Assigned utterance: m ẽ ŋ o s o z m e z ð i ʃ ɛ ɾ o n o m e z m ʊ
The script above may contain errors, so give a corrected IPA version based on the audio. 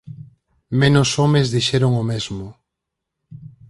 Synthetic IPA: m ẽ n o s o m e z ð i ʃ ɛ ɾ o ŋ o m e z m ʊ